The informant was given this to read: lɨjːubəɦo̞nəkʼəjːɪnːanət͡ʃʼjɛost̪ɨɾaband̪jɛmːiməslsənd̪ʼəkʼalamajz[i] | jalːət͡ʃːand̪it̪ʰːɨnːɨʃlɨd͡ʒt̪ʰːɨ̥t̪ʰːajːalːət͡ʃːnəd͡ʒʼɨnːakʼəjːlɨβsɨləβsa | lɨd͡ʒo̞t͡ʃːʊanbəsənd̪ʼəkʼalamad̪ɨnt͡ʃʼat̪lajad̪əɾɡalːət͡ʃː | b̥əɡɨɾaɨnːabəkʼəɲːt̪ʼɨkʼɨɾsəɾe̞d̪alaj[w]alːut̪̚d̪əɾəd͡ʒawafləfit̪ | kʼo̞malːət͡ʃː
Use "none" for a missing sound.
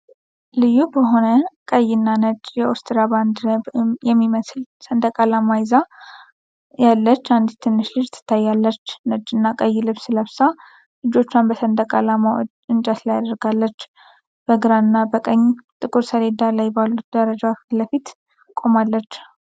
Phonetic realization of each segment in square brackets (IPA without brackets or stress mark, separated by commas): a, b